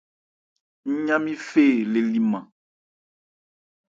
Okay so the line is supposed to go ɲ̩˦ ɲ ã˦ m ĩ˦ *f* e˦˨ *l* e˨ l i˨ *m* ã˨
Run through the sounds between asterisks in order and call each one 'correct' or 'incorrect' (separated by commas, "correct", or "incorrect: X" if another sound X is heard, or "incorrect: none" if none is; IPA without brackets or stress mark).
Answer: correct, correct, correct